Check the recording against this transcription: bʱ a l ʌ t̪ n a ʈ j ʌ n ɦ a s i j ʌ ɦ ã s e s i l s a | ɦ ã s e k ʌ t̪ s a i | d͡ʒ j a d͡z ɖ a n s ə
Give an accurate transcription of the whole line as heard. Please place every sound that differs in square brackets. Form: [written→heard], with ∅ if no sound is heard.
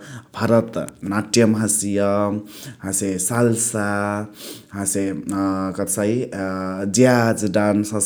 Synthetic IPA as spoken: bʱ a [l→ɾ] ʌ t̪ n a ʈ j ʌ [n→m] ɦ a s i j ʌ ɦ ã s e s [i→a] l s a | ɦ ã s e k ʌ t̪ s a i | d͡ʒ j a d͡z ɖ a n s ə